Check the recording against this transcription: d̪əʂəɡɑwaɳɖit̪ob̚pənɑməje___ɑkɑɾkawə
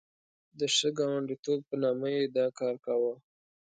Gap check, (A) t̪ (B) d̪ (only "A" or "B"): B